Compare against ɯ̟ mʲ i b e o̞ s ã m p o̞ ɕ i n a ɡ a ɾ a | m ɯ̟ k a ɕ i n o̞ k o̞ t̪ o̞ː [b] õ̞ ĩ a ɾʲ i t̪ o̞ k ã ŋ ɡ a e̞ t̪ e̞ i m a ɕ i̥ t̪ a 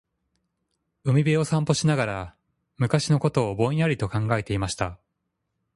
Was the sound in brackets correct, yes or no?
yes